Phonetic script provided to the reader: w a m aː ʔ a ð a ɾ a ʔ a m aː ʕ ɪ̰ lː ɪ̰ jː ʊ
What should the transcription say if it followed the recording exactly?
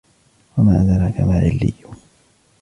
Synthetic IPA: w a m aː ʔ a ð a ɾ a k a m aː ʕ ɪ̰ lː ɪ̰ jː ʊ